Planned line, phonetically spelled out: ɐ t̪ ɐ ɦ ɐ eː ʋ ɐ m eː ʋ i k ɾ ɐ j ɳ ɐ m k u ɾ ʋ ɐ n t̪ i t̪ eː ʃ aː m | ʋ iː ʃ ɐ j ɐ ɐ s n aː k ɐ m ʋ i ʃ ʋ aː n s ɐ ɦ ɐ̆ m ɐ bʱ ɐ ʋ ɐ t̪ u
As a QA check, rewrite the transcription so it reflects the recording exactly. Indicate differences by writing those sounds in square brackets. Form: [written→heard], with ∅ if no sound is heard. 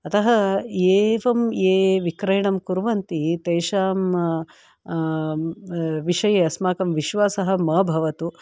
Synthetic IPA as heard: ɐ t̪ ɐ ɦ ɐ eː ʋ ɐ m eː ʋ i k ɾ ɐ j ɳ ɐ m k u ɾ ʋ ɐ n t̪ i t̪ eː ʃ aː m | ʋ [iː→i] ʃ ɐ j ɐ ɐ s [n→m] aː k ɐ m ʋ i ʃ ʋ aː [n→∅] s ɐ ɦ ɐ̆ m ɐ bʱ ɐ ʋ ɐ t̪ u